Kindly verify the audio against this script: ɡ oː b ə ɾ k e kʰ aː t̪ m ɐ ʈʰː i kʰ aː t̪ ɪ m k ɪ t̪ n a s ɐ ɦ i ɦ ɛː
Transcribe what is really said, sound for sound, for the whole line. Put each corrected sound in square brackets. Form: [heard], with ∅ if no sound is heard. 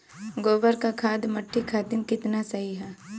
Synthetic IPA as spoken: ɡ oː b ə ɾ k [a] kʰ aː [d̪] m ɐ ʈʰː i kʰ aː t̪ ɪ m k ɪ t̪ n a s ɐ ɦ i ɦ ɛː